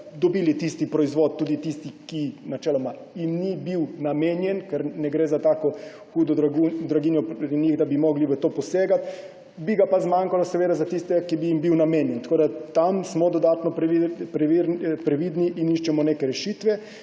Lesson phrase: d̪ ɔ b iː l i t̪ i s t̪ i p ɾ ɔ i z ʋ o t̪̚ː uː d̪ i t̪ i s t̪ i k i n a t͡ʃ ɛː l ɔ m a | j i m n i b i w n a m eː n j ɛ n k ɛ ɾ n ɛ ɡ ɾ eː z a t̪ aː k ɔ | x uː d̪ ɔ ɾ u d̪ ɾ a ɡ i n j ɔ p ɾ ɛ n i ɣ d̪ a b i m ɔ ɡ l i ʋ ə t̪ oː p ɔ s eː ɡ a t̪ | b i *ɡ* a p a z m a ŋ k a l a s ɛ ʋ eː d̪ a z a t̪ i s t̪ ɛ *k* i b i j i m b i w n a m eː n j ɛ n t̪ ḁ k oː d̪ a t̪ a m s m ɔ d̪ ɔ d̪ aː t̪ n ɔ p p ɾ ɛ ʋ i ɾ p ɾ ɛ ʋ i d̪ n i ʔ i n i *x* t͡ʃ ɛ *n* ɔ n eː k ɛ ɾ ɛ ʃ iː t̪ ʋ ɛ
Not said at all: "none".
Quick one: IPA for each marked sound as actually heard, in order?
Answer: ɡ, k, ʃ, m

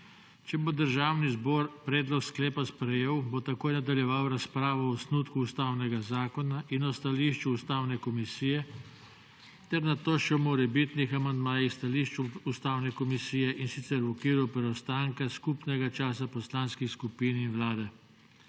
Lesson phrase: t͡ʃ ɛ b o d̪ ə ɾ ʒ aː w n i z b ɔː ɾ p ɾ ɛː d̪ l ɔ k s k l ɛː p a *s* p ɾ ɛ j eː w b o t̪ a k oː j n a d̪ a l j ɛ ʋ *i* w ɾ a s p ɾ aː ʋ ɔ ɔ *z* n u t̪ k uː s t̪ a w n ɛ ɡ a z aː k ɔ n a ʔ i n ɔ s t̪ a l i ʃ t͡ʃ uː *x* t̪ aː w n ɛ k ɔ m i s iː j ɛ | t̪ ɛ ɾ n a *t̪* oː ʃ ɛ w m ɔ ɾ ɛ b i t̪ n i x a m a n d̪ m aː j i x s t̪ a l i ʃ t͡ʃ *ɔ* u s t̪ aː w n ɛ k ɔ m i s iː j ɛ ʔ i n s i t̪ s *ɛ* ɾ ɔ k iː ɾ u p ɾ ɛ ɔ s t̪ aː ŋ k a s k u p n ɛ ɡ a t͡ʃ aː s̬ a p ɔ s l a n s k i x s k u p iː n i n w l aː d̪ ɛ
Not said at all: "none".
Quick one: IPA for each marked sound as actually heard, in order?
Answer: s, a, s, s, t̪, u, ɛ

